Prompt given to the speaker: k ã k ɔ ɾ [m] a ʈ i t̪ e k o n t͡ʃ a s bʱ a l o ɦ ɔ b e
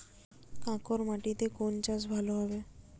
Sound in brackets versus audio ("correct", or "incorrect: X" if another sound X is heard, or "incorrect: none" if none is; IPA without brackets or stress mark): correct